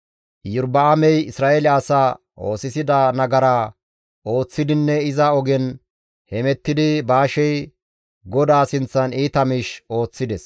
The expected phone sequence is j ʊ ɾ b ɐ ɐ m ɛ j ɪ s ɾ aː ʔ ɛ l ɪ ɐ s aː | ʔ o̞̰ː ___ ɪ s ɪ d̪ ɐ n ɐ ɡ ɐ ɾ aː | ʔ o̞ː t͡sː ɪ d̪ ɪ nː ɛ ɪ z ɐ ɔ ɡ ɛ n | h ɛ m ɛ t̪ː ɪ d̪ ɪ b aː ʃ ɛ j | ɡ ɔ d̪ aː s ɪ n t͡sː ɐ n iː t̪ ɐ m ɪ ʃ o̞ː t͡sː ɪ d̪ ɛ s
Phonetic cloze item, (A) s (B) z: A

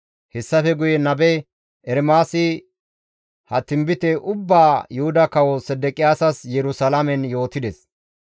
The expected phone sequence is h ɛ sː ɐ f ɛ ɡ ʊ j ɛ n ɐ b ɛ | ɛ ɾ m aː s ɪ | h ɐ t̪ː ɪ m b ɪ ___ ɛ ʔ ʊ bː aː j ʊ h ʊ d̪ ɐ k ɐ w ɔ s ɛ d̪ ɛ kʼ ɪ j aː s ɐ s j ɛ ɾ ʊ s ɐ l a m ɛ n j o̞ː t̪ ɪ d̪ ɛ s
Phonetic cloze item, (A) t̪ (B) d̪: A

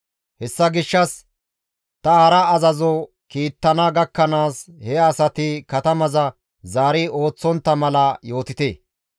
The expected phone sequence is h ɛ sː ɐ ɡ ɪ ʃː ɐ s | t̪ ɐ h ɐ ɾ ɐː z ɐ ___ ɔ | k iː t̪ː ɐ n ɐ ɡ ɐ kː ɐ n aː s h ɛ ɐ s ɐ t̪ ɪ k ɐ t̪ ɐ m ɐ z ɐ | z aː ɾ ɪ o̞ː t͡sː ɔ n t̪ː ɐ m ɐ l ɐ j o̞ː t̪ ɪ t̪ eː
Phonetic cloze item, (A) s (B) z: B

